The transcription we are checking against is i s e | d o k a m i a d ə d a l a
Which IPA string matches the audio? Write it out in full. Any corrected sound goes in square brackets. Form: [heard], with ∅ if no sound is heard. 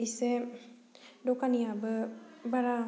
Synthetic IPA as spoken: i s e | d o k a [n] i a [b] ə [b] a [ɾ] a